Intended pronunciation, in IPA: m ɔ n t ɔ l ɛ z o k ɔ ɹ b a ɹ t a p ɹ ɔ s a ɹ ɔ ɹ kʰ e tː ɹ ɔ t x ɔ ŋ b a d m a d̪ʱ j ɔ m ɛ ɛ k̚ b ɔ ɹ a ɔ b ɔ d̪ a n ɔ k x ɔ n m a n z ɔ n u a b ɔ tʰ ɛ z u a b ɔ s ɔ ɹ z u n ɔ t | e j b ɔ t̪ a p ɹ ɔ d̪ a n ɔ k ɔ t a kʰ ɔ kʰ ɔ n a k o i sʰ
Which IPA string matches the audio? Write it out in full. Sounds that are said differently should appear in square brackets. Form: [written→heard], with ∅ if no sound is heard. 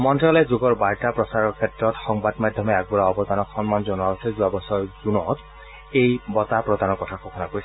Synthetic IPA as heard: m ɔ n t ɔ l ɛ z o [k→ɡ] ɔ ɹ b a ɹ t a p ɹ ɔ s a ɹ ɔ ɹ kʰ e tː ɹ ɔ t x ɔ ŋ b a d m a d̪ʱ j ɔ m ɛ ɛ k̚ b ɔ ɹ a ɔ b ɔ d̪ a n ɔ k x ɔ n m a n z ɔ n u a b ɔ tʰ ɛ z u a b ɔ s ɔ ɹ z u n ɔ t | e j b ɔ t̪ a p ɹ ɔ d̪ a n ɔ k ɔ [t→tʰ] a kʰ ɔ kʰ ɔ n a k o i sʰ